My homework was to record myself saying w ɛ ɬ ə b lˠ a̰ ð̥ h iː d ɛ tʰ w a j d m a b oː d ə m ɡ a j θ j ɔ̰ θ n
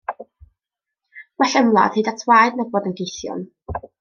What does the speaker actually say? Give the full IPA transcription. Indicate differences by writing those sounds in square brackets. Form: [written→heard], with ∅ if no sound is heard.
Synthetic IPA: w ɛ ɬ ə [b→m] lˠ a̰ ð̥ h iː d [ɛ→a] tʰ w a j d [m→n] a b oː d ə [m→n] ɡ [a→e] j θ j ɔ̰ [θ→∅] n